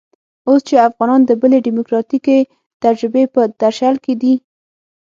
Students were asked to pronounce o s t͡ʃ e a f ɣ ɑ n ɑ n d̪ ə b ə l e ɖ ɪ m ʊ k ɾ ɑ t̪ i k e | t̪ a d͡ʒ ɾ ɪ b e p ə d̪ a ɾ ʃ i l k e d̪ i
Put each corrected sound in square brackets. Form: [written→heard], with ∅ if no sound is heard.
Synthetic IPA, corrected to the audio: o s t͡ʃ e a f ɣ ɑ n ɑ n d̪ ə b ə l e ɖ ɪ m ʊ k ɾ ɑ t̪ i k e | t̪ a d͡ʒ ɾ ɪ b e p ə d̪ a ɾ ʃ [i→a] l k e d̪ i